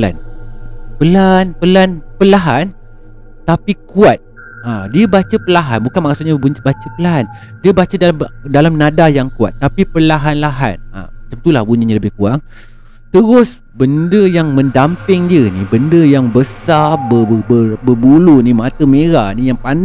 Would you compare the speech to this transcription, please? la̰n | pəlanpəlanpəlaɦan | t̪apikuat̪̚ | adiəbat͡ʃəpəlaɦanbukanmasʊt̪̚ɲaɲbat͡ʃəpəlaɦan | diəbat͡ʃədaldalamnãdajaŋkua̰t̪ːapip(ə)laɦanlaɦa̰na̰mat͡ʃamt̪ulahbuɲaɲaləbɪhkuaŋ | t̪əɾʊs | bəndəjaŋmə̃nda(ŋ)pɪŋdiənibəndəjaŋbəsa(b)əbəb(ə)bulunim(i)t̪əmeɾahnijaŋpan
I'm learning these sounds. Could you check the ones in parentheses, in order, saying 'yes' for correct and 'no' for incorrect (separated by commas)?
yes, no, yes, yes, no